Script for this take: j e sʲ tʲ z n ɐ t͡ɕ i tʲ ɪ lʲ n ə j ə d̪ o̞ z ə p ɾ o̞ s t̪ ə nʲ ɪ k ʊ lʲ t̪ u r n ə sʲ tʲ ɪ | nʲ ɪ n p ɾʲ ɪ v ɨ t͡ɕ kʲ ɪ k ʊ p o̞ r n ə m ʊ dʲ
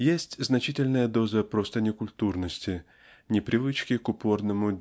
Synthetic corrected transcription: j e sʲ tʲ z n ɐ t͡ɕ i tʲ ɪ lʲ n ə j ə d̪ o̞ z ə p ɾ o̞ s t̪ ə nʲ ɪ k ʊ lʲ t̪ u r n ə sʲ tʲ ɪ | nʲ ɪ p ɾʲ ɪ v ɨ t͡ɕ kʲ ɪ k ʊ p o̞ r n ə m ʊ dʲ